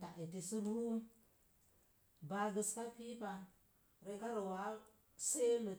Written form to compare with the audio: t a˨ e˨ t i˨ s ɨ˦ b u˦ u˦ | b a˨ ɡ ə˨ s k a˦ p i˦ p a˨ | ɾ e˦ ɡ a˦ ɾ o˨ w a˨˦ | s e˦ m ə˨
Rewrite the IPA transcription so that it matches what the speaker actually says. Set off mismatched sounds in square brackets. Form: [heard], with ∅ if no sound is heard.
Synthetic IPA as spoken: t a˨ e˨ t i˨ s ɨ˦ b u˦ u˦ | b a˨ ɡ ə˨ s k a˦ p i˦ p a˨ | ɾ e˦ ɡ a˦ ɾ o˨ w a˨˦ | s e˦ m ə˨